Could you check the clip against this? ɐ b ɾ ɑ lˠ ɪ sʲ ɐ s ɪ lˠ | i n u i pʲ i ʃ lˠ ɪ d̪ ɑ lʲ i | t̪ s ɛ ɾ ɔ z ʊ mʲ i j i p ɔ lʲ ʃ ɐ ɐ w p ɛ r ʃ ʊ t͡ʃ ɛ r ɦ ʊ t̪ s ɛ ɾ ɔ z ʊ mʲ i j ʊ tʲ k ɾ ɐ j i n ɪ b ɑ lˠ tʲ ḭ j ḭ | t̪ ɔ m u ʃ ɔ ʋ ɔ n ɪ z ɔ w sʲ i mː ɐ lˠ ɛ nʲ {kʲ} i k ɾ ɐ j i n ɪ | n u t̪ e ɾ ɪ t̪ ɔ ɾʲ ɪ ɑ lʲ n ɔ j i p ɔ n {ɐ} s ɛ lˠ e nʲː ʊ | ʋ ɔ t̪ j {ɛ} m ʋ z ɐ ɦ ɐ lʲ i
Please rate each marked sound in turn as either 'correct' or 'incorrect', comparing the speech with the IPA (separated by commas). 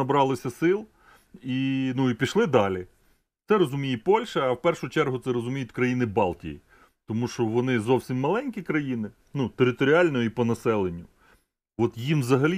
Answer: correct, correct, incorrect